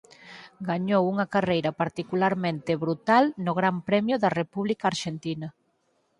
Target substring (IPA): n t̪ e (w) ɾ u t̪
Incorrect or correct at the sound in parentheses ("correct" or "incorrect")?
incorrect